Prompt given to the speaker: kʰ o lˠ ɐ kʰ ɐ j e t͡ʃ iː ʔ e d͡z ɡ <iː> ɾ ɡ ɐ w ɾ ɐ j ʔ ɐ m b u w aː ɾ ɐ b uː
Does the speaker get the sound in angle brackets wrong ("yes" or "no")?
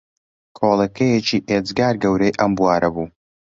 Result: yes